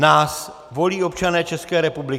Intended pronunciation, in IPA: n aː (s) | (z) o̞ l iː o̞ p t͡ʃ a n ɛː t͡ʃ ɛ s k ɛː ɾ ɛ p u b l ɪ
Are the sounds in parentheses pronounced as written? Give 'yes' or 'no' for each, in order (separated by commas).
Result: yes, no